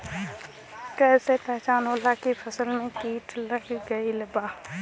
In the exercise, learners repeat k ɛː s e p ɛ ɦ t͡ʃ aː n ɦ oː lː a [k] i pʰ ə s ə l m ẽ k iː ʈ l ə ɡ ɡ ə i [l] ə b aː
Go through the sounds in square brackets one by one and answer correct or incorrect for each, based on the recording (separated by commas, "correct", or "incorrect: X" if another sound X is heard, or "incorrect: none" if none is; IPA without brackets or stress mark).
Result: correct, correct